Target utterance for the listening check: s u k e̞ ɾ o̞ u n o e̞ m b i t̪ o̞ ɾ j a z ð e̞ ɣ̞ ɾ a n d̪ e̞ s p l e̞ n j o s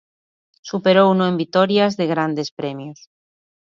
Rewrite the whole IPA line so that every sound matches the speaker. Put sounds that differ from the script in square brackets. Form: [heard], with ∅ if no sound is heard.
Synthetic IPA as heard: s u [p] e̞ ɾ o̞ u n o e̞ m b i t̪ o̞ ɾ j a z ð e̞ ɣ̞ ɾ a n d̪ e̞ s p [ɾ] e̞ [m] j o s